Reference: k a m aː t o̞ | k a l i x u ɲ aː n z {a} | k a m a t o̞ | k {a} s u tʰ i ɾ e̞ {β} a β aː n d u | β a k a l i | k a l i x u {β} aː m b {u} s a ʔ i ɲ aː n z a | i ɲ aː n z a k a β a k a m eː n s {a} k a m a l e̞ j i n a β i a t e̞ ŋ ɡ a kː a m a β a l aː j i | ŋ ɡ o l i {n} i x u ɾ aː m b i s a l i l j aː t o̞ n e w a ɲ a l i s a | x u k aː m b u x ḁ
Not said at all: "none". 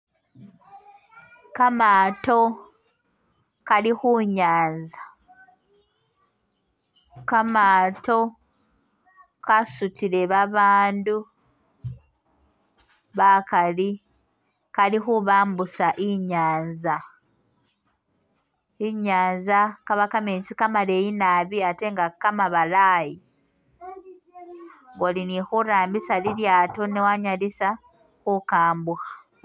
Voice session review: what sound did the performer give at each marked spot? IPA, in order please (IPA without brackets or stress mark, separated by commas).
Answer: a, a, β, β, u, i, n